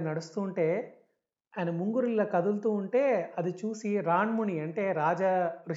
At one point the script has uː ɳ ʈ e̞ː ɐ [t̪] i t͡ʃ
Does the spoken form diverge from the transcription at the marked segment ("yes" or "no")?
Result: yes